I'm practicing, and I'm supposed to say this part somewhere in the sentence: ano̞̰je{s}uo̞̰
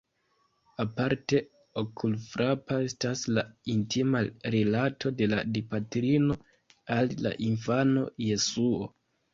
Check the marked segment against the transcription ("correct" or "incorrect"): correct